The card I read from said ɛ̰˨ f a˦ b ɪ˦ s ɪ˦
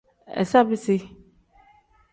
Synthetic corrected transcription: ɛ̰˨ s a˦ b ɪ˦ s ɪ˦